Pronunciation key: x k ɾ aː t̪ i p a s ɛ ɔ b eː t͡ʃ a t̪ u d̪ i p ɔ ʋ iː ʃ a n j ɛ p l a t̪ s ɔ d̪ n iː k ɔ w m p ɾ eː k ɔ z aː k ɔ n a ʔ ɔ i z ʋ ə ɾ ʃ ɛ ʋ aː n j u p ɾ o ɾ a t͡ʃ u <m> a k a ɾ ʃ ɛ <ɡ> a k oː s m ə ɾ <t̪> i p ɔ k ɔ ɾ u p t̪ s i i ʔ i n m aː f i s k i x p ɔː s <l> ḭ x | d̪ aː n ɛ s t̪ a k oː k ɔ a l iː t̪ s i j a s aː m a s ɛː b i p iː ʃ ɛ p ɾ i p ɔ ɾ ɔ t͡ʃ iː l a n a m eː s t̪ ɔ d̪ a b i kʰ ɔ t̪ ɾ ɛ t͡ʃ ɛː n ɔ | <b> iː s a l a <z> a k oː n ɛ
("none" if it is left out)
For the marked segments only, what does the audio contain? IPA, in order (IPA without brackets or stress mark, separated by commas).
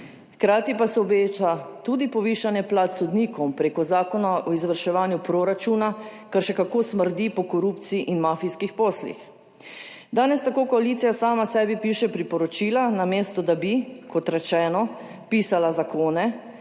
n, k, d̪, l, p, z